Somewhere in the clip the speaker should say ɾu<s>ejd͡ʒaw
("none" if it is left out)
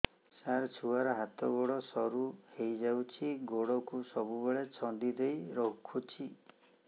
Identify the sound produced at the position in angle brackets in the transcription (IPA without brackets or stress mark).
h